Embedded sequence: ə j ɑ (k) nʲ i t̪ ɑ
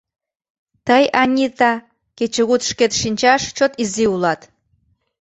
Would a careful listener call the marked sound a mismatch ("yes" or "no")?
yes